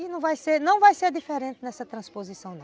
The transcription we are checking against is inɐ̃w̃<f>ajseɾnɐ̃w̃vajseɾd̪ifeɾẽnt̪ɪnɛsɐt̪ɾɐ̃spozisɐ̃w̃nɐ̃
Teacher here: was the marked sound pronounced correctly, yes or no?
no